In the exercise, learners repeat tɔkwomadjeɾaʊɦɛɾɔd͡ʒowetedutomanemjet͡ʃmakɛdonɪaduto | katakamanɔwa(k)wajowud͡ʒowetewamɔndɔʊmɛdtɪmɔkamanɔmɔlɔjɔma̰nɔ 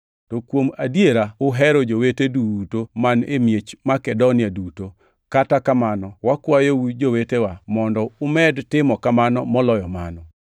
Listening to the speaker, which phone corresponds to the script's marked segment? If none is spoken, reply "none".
k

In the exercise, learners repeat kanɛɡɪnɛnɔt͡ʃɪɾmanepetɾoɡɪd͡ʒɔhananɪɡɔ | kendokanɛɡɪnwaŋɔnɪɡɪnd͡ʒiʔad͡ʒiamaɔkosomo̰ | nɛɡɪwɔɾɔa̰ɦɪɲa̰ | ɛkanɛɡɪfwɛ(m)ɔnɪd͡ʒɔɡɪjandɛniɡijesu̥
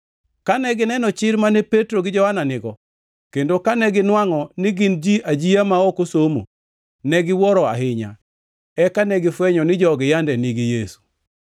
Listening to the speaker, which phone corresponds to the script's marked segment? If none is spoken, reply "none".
ɲ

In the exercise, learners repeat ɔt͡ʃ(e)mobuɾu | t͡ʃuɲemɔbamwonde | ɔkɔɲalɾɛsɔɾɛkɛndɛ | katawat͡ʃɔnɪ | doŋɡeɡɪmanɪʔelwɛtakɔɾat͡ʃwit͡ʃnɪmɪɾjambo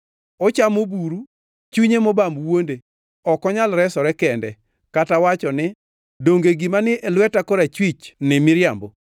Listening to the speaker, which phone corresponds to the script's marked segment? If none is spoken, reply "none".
a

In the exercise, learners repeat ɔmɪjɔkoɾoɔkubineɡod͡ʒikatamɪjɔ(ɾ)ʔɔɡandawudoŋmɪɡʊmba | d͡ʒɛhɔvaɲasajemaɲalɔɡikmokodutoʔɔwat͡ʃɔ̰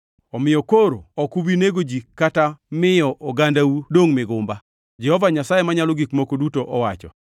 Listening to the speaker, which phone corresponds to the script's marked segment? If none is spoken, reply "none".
none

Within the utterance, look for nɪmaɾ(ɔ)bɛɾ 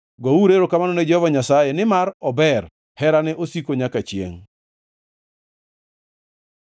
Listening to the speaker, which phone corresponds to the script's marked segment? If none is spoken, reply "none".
ɔ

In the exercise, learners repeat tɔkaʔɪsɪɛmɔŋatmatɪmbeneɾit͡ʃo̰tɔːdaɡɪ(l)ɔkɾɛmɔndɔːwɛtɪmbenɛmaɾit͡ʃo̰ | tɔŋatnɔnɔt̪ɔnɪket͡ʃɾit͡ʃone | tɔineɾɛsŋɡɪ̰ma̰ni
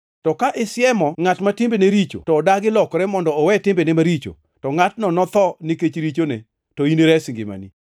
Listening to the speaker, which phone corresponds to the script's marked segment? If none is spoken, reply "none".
l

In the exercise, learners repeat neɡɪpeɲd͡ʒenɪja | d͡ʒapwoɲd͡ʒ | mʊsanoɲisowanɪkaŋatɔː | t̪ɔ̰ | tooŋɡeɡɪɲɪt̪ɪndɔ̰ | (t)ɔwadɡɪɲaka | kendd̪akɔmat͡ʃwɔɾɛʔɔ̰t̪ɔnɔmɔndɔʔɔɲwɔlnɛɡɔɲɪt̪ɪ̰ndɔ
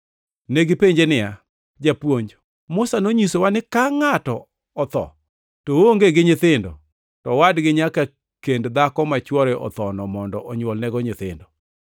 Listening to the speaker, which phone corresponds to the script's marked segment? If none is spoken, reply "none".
t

